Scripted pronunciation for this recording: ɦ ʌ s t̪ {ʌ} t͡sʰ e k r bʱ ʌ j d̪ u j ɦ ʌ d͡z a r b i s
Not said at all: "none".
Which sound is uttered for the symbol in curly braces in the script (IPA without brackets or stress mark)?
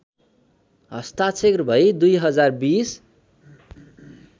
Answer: a